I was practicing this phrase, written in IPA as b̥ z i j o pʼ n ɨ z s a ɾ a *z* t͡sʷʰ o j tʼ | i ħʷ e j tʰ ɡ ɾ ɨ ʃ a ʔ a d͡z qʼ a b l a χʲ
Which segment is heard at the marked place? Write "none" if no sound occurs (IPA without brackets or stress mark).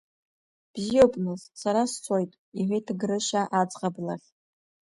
s